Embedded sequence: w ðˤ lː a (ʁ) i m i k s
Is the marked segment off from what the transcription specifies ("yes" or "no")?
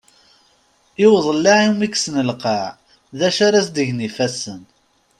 yes